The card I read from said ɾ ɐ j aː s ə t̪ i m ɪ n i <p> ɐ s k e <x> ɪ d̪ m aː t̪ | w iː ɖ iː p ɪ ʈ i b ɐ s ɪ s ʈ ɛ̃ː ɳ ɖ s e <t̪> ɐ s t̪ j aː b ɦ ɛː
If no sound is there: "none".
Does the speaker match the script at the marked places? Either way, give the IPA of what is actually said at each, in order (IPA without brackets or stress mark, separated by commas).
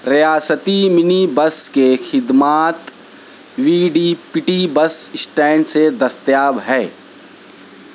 b, x, d̪